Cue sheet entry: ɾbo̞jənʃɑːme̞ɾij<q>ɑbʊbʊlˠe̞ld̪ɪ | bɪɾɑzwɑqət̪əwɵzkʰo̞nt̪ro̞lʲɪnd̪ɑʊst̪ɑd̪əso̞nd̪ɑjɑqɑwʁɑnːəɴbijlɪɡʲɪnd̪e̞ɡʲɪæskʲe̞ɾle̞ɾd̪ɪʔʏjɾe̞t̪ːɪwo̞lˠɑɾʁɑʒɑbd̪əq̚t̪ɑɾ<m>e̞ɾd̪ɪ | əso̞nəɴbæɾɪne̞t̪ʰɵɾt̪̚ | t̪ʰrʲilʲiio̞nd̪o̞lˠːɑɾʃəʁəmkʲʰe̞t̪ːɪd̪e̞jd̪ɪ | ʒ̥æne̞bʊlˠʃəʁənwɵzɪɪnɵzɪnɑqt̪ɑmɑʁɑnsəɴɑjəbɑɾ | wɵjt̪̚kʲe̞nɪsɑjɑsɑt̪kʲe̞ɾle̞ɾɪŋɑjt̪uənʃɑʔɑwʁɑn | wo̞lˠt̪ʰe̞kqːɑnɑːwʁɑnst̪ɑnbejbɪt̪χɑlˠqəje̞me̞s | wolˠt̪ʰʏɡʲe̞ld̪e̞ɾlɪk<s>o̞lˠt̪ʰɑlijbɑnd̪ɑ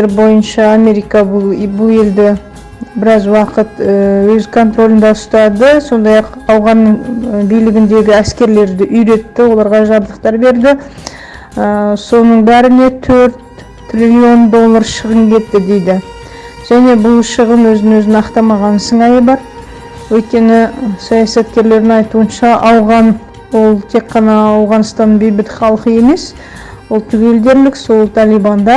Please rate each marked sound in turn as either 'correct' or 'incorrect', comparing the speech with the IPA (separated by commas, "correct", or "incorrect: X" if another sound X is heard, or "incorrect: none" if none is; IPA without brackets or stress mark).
incorrect: k, incorrect: b, correct